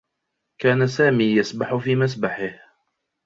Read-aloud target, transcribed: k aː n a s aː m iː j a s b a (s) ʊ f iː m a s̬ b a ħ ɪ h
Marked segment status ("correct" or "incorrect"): incorrect